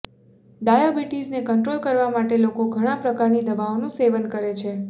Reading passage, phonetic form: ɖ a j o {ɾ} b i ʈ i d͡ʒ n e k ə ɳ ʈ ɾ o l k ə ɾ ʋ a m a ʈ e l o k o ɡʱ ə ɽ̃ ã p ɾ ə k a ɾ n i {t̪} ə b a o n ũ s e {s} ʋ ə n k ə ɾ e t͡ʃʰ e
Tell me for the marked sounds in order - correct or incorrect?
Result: incorrect: none, incorrect: d̪, incorrect: none

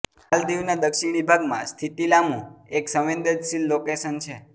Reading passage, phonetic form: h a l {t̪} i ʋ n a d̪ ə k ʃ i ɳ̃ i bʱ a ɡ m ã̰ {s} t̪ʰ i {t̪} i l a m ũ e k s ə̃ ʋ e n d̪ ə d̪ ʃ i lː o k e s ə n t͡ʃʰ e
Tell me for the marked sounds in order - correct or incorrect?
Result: incorrect: d̪, correct, correct

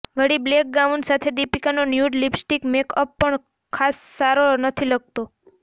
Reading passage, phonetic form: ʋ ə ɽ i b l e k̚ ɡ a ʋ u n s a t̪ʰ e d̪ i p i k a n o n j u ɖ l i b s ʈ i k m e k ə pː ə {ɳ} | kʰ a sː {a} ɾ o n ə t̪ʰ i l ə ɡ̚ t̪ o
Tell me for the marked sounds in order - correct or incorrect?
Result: correct, correct

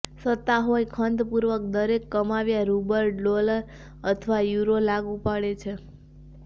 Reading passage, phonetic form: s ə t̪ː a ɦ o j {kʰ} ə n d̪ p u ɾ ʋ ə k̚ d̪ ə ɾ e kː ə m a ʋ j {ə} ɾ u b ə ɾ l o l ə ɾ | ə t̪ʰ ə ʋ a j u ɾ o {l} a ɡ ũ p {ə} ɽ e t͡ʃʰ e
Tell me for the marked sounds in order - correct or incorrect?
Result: correct, incorrect: a, correct, incorrect: a

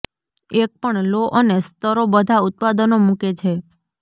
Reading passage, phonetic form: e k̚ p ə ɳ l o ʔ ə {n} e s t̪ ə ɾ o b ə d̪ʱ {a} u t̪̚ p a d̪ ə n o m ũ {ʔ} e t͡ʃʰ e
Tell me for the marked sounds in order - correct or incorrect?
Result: correct, correct, incorrect: k

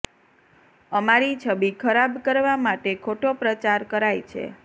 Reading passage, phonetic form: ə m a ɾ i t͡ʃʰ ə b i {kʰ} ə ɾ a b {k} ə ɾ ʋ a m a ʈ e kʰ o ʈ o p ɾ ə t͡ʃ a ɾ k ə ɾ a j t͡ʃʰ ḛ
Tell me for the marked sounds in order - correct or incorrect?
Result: correct, correct

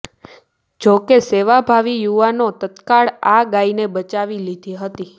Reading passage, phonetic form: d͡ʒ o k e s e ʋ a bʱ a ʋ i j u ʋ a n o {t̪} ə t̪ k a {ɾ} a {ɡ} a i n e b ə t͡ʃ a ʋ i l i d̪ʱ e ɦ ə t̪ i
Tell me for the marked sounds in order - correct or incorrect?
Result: correct, incorrect: ɭ, correct

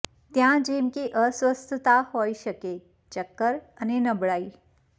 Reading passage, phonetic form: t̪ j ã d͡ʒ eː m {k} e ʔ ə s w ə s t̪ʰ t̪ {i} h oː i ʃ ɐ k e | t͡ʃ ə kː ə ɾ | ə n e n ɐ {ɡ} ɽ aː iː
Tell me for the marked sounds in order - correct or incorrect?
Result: correct, incorrect: a, incorrect: b

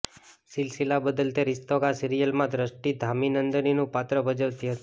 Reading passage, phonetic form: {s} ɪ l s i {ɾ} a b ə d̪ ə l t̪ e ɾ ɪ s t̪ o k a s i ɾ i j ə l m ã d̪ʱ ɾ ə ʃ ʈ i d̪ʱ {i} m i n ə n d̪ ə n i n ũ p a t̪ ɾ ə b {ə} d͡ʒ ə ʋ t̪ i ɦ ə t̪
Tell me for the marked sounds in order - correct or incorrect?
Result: correct, incorrect: l, incorrect: a, correct

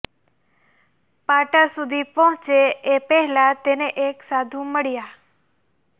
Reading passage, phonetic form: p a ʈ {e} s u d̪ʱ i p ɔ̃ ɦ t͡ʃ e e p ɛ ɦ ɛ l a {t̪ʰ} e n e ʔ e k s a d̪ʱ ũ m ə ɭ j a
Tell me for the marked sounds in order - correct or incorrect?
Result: incorrect: a, incorrect: t̪

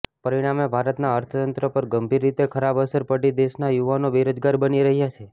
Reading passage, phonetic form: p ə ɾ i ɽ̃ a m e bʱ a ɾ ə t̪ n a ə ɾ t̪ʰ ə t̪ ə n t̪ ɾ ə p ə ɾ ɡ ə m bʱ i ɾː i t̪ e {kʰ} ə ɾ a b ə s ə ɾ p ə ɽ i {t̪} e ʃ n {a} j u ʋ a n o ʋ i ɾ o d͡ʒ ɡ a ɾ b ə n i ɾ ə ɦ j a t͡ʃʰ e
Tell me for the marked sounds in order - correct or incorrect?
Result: correct, incorrect: d̪, correct

